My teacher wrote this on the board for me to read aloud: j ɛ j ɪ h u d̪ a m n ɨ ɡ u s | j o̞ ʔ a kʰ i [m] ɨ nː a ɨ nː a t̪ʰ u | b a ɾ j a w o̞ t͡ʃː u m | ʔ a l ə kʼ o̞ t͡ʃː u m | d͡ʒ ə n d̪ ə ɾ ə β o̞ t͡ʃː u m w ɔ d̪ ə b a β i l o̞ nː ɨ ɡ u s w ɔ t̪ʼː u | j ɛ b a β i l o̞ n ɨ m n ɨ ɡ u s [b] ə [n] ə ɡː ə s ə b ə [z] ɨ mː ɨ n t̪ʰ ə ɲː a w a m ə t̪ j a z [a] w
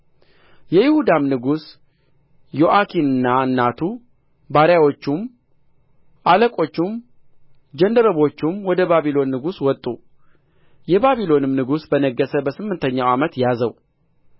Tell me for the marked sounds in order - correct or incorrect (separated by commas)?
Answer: incorrect, correct, correct, incorrect, incorrect